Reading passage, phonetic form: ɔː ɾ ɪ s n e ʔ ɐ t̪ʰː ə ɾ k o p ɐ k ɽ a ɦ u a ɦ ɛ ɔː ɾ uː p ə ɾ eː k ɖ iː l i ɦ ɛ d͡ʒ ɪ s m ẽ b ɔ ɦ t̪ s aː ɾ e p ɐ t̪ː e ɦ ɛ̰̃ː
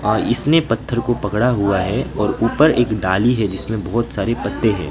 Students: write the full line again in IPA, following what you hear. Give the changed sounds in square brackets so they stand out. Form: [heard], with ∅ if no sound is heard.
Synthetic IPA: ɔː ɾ ɪ s n e [p] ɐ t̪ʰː ə ɾ k o p ɐ k ɽ a ɦ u a ɦ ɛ ɔː ɾ uː p ə ɾ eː k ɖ [aː] l i ɦ ɛ d͡ʒ ɪ s m ẽ b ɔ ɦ t̪ s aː ɾ e p ɐ t̪ː e ɦ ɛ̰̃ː